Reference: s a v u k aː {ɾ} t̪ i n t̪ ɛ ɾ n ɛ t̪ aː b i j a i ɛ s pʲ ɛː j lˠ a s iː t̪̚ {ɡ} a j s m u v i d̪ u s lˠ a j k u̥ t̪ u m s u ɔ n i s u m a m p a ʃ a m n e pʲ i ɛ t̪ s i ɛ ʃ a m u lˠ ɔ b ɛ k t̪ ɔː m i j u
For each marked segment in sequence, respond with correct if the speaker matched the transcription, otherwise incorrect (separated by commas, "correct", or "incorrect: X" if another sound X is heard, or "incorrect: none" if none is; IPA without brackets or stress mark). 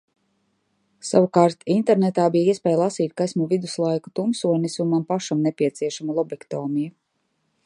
correct, incorrect: k